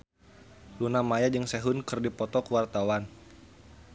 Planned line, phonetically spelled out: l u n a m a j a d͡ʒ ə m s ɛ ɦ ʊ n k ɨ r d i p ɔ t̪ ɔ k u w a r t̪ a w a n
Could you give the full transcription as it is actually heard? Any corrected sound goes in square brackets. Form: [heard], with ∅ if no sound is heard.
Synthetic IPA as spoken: l u n a m a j a d͡ʒ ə [ŋ] s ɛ ɦ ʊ n k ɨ r d i p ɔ t̪ ɔ k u w a r t̪ a w a n